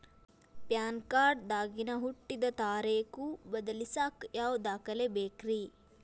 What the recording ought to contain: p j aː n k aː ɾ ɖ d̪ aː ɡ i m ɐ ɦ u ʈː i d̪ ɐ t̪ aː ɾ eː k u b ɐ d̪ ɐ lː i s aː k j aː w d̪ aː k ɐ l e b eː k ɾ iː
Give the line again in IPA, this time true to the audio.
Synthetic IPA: p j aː n k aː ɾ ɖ d̪ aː ɡ i n ɐ ɦ u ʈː i d̪ ɐ t̪ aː ɾ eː k u b ɐ d̪ ɐ l i s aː k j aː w d̪ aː k ɐ l e b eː k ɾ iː